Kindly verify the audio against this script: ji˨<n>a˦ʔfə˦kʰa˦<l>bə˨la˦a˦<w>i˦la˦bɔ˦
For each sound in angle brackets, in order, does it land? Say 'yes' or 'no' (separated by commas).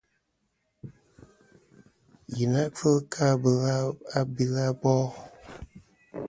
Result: yes, no, no